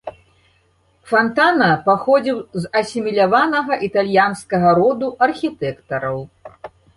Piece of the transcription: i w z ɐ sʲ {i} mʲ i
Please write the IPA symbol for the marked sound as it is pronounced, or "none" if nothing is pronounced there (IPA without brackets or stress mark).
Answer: i